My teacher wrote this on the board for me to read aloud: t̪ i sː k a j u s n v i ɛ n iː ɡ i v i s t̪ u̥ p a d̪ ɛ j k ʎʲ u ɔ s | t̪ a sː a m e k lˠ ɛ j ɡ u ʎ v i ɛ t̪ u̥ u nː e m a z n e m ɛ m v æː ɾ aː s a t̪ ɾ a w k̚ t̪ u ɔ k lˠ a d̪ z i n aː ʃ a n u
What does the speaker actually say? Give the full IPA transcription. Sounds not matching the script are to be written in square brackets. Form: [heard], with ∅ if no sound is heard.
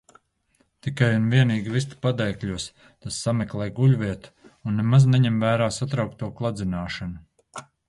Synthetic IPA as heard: t̪ i [∅] k a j u [∅] n v i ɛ n iː ɡ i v i s t̪ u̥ p a d̪ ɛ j k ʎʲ u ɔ s | t̪ a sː a m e k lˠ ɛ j ɡ u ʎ v i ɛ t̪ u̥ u nː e m a z n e [ɲ] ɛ m v æː ɾ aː s a t̪ ɾ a w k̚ t̪ u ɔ k lˠ a d̪ z i n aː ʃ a n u

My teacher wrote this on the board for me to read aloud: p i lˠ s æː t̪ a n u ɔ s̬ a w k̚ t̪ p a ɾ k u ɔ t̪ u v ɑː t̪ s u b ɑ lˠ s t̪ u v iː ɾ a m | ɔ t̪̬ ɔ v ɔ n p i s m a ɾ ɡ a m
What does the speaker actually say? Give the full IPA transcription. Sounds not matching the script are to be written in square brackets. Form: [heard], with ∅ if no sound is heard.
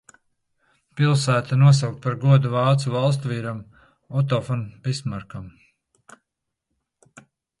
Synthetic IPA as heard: p i lˠ s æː t̪ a n u ɔ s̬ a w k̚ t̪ p a ɾ [ɡ] u ɔ [d̪] u v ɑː t̪ s u [v] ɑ lˠ s t̪ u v iː ɾ a m | ɔ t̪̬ ɔ [f] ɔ n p i s m a ɾ [k] a m

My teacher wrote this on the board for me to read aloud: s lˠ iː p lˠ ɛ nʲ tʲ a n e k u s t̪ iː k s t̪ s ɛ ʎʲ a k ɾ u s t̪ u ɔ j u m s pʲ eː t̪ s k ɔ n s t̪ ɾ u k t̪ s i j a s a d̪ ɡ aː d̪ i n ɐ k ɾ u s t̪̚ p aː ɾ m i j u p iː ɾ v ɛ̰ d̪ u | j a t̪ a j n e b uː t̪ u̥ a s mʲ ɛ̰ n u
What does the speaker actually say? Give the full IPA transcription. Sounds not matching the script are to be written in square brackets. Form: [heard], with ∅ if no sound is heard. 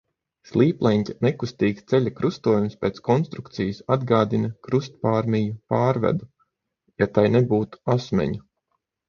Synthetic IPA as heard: s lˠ iː p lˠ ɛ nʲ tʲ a n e k u s t̪ iː k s t̪ s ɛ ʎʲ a k ɾ u s t̪ u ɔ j u m s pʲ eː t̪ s k ɔ n s t̪ ɾ u k t̪ s i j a s a d̪ ɡ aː d̪ i n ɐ k ɾ u s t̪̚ p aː ɾ m i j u p [aː] ɾ v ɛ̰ d̪ u | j a t̪ a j n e b uː t̪ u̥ a s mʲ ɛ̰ [ɲ] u

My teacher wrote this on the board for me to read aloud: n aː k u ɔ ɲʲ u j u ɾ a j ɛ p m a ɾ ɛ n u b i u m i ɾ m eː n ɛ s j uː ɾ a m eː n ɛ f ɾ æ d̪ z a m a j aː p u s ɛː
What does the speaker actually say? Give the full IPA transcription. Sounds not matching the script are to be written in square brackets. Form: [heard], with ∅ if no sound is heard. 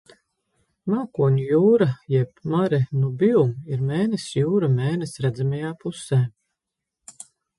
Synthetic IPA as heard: [m] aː k u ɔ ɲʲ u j [uː] ɾ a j ɛ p m a ɾ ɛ n u b i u m i ɾ m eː n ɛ s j uː ɾ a m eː n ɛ [s] ɾ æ d̪ z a m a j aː p u s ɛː

